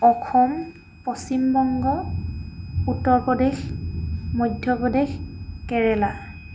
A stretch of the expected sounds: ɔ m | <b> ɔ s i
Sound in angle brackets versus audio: incorrect: p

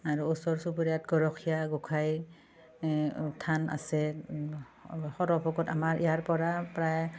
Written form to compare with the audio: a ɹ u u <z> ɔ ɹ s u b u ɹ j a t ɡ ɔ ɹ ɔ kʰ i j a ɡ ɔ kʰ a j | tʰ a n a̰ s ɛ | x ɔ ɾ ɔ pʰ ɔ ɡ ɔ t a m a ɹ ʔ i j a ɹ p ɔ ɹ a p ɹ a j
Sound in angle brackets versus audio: incorrect: s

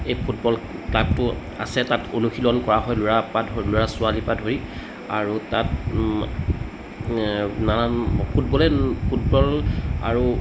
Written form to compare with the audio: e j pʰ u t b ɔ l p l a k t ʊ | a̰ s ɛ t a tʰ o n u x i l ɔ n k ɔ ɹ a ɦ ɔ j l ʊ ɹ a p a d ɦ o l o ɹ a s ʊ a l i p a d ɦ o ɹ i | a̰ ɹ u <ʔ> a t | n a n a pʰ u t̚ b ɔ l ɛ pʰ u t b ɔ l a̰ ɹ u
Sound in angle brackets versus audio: incorrect: t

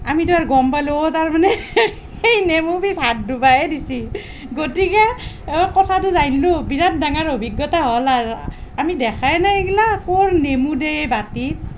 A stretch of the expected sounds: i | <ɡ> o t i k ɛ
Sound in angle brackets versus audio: correct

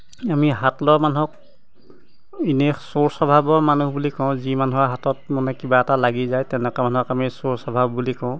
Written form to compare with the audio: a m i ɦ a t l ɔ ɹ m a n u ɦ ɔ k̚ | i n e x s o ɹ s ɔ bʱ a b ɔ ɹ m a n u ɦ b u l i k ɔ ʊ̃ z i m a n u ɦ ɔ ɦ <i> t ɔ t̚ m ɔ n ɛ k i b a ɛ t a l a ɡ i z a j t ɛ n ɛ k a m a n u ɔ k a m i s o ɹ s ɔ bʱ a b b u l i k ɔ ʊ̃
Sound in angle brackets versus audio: incorrect: a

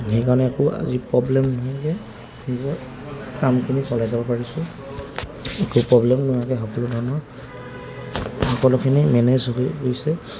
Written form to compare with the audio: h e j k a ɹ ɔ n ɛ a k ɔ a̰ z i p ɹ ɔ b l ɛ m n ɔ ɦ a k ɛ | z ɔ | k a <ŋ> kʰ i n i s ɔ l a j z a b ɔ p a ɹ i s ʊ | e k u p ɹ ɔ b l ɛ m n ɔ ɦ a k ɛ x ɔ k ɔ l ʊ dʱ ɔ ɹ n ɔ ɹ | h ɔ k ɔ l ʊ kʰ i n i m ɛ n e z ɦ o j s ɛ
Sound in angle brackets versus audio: incorrect: m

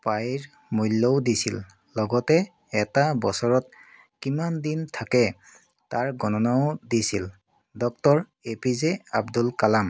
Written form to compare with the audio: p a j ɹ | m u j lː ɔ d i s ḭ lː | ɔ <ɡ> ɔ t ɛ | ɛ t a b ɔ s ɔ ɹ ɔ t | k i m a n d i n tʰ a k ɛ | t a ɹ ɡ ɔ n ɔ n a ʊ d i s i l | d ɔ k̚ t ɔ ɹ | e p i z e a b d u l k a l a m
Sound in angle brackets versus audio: correct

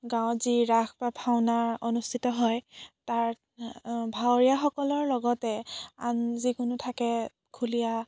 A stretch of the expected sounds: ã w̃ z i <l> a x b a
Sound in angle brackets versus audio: incorrect: ɹ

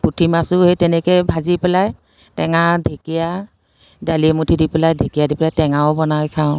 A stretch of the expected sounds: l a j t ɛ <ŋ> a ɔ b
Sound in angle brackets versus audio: correct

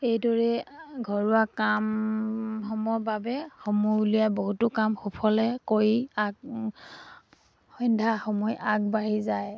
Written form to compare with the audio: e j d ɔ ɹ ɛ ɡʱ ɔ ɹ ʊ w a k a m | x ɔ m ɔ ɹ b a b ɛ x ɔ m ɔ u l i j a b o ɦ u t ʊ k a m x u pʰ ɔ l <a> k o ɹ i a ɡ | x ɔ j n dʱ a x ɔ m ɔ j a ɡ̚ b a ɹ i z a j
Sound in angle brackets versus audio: incorrect: ɛ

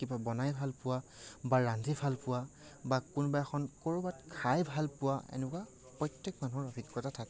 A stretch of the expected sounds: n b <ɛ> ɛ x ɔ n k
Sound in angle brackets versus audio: incorrect: a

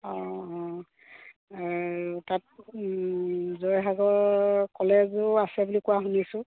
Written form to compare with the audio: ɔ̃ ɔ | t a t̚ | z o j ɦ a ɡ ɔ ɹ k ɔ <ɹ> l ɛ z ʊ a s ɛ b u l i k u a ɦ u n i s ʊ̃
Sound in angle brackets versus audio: incorrect: none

